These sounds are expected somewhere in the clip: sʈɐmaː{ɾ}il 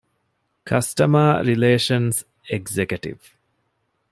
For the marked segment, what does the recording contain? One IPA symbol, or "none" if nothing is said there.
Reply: ɾ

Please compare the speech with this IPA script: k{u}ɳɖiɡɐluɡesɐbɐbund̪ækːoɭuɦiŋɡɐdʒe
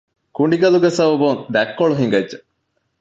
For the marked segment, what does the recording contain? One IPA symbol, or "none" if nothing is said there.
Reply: u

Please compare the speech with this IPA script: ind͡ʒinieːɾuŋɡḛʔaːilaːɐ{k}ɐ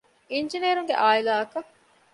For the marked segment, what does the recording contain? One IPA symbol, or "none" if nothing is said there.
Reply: k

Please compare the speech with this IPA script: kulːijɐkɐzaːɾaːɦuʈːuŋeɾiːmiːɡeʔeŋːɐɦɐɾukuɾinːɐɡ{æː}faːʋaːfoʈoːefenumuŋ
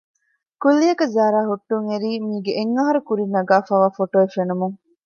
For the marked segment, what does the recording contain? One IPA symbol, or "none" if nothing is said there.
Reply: aː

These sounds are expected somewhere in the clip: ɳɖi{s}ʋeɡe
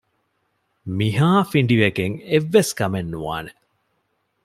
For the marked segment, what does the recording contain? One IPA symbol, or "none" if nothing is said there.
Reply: none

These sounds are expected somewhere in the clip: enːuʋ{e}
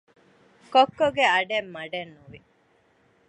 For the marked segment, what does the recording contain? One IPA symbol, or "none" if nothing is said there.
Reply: i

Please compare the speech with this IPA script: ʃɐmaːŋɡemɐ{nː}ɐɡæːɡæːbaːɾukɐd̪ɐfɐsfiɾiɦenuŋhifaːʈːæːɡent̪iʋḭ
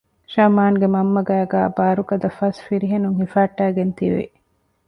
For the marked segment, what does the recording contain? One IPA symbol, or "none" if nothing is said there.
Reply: mː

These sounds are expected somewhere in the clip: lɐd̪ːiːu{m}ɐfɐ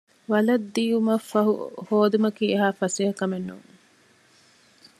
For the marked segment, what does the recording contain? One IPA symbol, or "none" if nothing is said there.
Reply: m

